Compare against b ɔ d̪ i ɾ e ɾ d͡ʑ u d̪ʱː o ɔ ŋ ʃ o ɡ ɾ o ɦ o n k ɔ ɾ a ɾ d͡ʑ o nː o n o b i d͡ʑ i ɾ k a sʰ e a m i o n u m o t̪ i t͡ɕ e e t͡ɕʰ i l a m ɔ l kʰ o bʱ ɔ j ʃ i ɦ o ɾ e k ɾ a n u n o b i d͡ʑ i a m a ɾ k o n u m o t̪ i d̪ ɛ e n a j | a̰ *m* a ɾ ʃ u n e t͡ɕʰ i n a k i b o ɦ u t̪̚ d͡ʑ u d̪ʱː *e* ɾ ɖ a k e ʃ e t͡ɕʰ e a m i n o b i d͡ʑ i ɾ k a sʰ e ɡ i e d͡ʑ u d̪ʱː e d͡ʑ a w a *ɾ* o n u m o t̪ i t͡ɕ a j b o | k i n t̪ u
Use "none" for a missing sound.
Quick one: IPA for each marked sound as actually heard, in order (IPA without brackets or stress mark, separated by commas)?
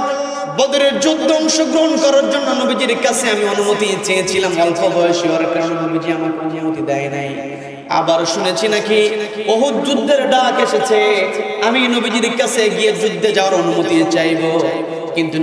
b, e, ɾ